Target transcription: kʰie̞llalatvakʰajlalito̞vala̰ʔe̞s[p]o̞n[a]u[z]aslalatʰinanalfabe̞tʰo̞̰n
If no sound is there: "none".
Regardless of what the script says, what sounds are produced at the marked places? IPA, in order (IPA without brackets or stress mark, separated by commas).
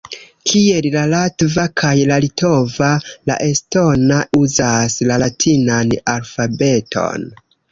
t, a, z